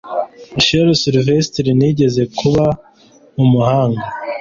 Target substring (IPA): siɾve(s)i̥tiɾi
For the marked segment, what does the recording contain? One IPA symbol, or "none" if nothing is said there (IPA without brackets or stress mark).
s